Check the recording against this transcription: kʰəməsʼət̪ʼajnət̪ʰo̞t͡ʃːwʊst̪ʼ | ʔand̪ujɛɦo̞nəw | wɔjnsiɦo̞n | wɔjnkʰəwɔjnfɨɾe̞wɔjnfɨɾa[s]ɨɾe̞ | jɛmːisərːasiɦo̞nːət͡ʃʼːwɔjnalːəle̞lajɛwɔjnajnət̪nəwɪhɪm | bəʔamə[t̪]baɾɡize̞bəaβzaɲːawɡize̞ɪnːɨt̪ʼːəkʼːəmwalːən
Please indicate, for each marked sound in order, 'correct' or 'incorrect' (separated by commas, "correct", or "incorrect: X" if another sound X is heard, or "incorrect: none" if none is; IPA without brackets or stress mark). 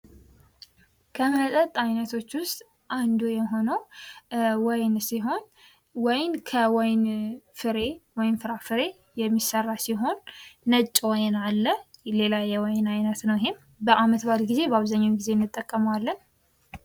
incorrect: f, correct